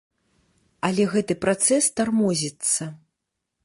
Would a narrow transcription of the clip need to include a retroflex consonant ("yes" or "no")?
no